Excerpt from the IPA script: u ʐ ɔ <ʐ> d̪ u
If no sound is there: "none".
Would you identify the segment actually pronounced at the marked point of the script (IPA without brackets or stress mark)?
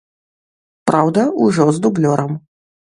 z